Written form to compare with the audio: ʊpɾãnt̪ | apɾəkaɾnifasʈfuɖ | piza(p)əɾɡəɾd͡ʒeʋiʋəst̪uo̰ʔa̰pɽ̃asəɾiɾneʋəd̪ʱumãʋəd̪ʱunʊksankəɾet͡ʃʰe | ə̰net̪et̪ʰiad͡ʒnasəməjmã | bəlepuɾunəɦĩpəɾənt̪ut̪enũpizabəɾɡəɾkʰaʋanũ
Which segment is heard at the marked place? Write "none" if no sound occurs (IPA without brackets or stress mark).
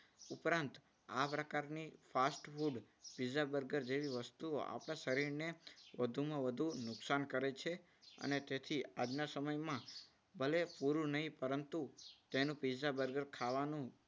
b